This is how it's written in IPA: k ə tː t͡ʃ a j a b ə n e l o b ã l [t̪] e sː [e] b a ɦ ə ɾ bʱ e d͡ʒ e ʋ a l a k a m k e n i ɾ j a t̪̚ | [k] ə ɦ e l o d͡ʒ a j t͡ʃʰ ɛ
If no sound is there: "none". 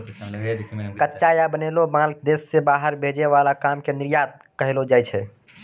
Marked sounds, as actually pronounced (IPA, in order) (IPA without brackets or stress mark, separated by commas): d̪, e, k